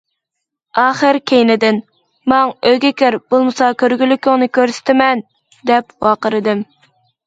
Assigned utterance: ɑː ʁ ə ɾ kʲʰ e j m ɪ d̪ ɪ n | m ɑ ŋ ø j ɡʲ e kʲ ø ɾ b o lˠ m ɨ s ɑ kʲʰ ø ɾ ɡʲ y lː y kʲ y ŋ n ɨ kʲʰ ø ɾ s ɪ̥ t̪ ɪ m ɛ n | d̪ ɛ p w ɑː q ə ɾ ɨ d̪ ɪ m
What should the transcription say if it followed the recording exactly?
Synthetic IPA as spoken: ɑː χ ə ɾ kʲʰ e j n ɪ d̪ ɪ n | m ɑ ŋ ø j ɡʲ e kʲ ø ɾ b o lˠ m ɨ s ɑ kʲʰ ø ɾ ɡʲ y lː y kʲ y ŋ n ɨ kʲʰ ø ɾ s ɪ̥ t̪ ɪ m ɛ n | d̪ ɛ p w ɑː q ə ɾ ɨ d̪ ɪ m

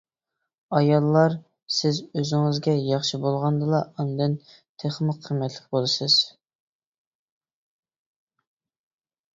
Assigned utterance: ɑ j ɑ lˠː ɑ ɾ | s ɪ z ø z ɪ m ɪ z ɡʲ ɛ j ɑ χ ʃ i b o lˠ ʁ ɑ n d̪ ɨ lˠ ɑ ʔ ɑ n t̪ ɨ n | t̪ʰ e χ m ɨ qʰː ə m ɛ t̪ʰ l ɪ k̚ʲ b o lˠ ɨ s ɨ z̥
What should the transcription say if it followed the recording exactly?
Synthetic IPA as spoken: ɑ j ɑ lˠː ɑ ɾ | s ɪ z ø z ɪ ŋ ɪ z ɡʲ ɛ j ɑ χ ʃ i b o lˠ ʁ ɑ n d̪ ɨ lˠ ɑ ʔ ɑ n d̪ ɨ n | t̪ʰ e χ m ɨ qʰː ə m ɛ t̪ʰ l ɪ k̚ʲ b o lˠ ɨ s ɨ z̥

